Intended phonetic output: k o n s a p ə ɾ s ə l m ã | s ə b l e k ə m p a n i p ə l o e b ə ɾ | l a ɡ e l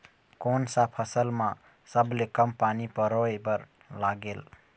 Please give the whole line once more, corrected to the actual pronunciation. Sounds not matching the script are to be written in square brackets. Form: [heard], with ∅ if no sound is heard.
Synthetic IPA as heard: k o n s a [pʰ] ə [∅] s ə l m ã | s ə b l e k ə m p a n i p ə [ɾ] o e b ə ɾ | l a ɡ e l